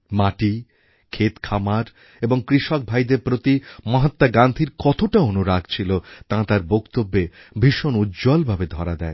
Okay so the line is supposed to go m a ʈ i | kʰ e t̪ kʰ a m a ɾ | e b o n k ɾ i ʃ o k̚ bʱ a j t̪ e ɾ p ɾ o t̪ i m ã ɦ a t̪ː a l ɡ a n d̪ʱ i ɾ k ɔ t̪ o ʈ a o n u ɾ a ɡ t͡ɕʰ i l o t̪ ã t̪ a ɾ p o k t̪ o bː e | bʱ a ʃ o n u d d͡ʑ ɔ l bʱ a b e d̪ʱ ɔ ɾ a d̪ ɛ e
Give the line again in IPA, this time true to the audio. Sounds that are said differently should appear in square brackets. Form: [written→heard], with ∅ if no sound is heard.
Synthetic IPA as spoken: m a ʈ i | kʰ e t̪ kʰ a m a ɾ | e b o [n→ŋ] k ɾ i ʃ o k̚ bʱ a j [t̪→d̪] e ɾ p ɾ o t̪ i m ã ɦ a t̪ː a [l→∅] ɡ a n d̪ʱ i ɾ k ɔ t̪ o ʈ a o n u ɾ a ɡ t͡ɕʰ i l o t̪ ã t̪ a ɾ [p→b] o k t̪ o bː e | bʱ [a→i] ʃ o n u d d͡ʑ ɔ l bʱ a b e d̪ʱ ɔ ɾ a d̪ ɛ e